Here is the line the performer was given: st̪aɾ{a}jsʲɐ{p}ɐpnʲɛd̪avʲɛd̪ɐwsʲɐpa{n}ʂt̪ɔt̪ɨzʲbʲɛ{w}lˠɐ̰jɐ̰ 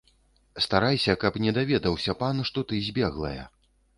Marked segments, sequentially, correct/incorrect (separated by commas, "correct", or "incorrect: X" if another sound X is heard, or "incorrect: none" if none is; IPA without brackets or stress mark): correct, incorrect: k, correct, incorrect: ɣ